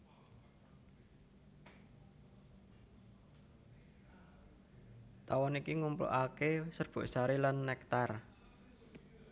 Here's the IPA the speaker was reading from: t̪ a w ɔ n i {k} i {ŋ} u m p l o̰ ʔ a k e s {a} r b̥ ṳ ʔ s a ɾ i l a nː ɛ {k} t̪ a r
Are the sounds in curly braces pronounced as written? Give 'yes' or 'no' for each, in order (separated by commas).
yes, yes, no, yes